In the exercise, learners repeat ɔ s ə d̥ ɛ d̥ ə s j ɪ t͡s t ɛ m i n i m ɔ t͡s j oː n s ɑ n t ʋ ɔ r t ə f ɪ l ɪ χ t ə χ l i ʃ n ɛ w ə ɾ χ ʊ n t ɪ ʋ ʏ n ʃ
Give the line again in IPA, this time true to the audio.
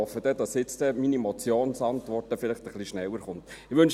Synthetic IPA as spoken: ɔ f ə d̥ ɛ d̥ ɑ s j ɪ t͡s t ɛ m i n i m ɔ t͡s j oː n s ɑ n t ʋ ɔ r t ə f ɪ l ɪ χ t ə χ l i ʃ n ɛ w ə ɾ χ ʊ n t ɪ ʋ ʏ n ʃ